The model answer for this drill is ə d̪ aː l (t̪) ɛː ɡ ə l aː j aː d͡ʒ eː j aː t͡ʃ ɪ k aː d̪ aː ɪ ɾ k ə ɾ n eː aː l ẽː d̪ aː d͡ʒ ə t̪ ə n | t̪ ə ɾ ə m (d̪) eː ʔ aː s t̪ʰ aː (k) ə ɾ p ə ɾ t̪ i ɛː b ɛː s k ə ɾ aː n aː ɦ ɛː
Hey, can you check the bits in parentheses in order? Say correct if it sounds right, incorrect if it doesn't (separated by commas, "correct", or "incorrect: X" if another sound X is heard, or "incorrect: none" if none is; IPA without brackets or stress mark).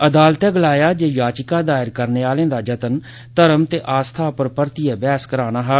correct, incorrect: t̪, incorrect: p